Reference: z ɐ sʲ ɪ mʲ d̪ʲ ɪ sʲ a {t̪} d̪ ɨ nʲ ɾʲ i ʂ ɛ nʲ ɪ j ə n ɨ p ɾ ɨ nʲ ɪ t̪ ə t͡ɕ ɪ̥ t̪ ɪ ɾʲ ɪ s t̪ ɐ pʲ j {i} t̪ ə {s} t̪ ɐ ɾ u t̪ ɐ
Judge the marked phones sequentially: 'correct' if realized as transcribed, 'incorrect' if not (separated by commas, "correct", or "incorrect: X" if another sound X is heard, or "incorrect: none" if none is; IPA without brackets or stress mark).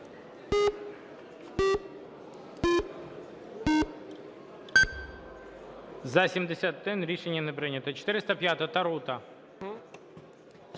correct, incorrect: a, incorrect: none